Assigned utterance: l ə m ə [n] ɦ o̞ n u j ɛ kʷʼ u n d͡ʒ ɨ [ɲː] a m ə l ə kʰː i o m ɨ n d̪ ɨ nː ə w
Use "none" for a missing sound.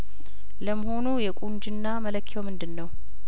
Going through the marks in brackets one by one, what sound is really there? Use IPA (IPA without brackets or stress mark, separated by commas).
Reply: none, nː